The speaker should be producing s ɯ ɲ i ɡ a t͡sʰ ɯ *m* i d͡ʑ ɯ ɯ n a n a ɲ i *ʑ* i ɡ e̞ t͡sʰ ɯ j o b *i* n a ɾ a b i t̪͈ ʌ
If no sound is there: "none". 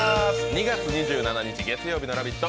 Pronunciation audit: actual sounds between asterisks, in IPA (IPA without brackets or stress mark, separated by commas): ɲ, d͡ʑ, i